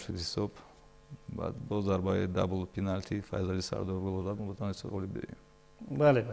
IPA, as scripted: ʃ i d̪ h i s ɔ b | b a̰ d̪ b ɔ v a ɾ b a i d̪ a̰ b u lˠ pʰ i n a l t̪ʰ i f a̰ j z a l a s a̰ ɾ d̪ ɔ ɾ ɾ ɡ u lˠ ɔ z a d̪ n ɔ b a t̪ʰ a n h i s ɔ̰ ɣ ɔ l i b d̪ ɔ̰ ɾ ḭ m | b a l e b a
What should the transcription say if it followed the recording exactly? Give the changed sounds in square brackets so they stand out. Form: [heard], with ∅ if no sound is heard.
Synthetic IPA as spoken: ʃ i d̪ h i s ɔ b | b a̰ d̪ b ɔ [z] a ɾ b a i d̪ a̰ b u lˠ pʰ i n a l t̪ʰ i f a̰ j z a l [i] s a̰ ɾ d̪ ɔ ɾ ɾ ɡ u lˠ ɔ z a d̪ [m] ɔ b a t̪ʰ a n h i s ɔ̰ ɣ ɔ l i b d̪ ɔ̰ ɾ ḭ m | b a l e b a